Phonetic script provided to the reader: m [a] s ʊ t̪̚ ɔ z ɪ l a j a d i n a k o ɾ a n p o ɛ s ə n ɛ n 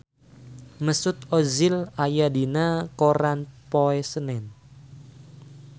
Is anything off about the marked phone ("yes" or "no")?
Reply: yes